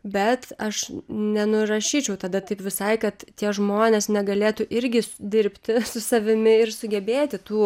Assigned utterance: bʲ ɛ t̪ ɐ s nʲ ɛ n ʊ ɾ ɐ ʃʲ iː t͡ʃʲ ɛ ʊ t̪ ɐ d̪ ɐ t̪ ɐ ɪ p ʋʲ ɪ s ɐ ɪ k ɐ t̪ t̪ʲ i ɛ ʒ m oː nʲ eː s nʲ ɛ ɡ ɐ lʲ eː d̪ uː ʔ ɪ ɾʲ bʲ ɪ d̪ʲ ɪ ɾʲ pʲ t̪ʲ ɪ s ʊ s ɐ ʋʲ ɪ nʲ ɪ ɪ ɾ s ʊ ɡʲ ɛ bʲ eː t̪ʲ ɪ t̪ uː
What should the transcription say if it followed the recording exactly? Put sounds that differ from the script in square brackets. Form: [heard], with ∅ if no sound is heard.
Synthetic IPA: bʲ ɛ t̪ ɐ [ʃ] nʲ ɛ n ʊ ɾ ɐ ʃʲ iː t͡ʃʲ ɛ ʊ t̪ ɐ d̪ ɐ t̪ ɐ ɪ p ʋʲ ɪ s ɐ ɪ k ɐ t̪ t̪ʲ i ɛ ʒ m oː nʲ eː s nʲ ɛ ɡ ɐ lʲ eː [t̪] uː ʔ ɪ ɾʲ [ɡʲ] ɪ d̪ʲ ɪ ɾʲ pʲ t̪ʲ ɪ s ʊ s ɐ ʋʲ ɪ [mʲ] ɪ ɪ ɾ s ʊ ɡʲ ɛ bʲ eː t̪ʲ ɪ t̪ uː